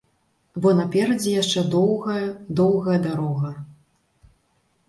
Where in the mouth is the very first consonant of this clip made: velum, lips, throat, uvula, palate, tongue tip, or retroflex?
lips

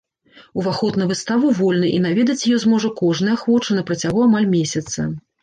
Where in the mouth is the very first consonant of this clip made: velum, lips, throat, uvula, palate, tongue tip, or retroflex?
lips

